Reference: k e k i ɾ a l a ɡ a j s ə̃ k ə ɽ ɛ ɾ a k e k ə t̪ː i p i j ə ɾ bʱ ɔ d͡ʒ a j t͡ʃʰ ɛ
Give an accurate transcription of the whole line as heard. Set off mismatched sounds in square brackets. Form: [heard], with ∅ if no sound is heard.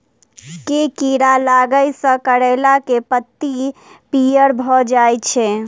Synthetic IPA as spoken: k e k i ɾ a l a ɡ [ə] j s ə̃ k ə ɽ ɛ [l] a k e [p] ə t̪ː i p i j ə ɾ bʱ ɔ d͡ʒ a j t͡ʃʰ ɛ

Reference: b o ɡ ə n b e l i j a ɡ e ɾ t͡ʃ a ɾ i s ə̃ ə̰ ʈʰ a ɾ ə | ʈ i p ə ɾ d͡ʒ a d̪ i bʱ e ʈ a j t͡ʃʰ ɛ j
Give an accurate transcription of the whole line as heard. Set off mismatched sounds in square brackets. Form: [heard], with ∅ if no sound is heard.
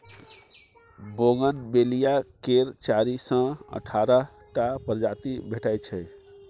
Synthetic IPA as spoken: b o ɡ ə n b e l i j a [k] e ɾ t͡ʃ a ɾ i s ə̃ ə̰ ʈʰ a ɾ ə | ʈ [a] p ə ɾ d͡ʒ a [t̪] i bʱ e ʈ a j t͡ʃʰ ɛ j

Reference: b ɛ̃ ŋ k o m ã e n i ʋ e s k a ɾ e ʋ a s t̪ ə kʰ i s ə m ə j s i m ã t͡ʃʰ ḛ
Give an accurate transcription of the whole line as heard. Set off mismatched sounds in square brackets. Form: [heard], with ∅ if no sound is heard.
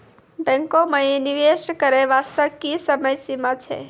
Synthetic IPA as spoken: b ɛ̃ ŋ k o m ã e n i ʋ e [ʃ] k [ə] ɾ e ʋ a s t̪ ə [k] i s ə m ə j s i m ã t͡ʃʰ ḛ

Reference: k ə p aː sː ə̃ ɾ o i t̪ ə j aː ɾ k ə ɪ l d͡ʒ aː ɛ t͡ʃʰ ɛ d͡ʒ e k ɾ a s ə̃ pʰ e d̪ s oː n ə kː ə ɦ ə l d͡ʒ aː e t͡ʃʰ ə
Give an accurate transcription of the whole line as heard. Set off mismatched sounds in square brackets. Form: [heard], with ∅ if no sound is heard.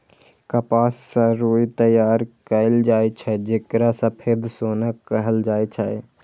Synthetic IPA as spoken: k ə p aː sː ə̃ ɾ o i t̪ ə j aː ɾ k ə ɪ l d͡ʒ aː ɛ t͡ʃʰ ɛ d͡ʒ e k ɾ a s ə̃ pʰ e d̪ s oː n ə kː ə ɦ ə l d͡ʒ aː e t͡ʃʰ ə

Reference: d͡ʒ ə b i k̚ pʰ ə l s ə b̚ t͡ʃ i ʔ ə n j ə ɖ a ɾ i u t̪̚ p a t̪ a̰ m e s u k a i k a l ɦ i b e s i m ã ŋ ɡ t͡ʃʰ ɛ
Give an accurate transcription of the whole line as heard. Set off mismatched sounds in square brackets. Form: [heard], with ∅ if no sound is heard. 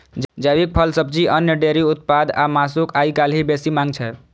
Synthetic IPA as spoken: d͡ʒ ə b i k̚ pʰ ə l s ə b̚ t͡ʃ i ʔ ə n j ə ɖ [e] ɾ i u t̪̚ p a [d̪] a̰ m [a] s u k a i k a l ɦ i b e s i m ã ŋ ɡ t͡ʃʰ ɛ

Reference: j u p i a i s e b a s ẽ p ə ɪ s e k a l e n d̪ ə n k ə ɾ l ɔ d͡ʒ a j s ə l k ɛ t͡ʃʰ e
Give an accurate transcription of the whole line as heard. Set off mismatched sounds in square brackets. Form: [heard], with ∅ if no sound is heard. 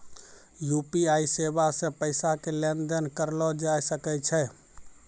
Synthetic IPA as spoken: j u p i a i s e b a s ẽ p ə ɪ s [a] k [e] l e n d̪ ə n k ə ɾ l ɔ d͡ʒ a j s ə [∅] k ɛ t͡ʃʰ [ɛ]

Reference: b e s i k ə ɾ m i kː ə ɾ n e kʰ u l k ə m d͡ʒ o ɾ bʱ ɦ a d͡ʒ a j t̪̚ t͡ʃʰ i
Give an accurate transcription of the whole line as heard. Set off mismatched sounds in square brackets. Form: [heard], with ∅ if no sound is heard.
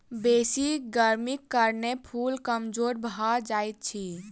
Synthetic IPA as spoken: b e s i [ɡ] ə ɾ m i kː ə ɾ n e [pʰ] u l k ə m d͡ʒ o ɾ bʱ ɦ a d͡ʒ a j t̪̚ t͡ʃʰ i

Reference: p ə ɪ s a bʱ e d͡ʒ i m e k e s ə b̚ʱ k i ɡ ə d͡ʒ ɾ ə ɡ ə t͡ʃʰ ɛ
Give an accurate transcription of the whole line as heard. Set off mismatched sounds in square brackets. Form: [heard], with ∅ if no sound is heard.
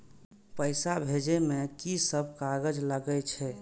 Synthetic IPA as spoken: p ə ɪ s a bʱ e d͡ʒ [e] m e k [i] s ə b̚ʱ k [a] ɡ ə d͡ʒ [l] ə ɡ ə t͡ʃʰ ɛ

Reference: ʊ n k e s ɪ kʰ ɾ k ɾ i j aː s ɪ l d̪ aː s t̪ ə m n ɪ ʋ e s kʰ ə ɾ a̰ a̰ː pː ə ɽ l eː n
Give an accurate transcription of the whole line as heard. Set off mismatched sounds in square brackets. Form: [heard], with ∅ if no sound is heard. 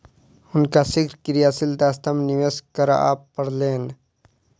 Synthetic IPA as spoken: ʊ n k [a] s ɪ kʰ ɾ k ɾ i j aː s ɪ l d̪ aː s t̪ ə m n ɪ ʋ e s [k] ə ɾ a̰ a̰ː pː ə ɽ l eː n

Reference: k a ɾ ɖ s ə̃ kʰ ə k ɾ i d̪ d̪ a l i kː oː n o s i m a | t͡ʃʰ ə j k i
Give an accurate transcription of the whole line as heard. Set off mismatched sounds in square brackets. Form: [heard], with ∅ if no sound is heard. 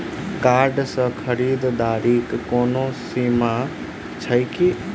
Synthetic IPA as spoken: k a ɾ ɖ s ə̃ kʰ ə [∅] ɾ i d̪ d̪ a [ɾ] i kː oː n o s i m a | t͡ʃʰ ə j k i

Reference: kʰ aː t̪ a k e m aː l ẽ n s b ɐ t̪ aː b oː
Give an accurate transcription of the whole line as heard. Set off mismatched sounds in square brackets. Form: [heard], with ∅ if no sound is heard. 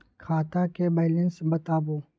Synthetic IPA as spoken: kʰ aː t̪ a k e [b] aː l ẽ n s b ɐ t̪ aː b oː

